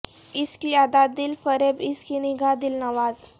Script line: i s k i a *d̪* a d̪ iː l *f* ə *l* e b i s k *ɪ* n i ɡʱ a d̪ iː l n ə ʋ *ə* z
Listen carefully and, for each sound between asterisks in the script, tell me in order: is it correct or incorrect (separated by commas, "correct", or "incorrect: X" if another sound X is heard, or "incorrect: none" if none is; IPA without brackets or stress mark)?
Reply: correct, correct, incorrect: ɾ, incorrect: i, incorrect: a